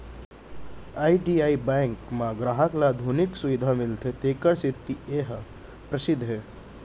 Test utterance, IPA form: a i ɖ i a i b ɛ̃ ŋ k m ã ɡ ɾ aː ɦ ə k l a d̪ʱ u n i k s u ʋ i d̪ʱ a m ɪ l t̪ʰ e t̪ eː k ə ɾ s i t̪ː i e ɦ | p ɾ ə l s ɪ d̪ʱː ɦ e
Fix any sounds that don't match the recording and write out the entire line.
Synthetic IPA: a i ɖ i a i b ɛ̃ ŋ k m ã ɡ ɾ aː ɦ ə k l a d̪ʱ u n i k s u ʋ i d̪ʱ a m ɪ l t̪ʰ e t̪ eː k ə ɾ s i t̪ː i e ɦ | p ɾ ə s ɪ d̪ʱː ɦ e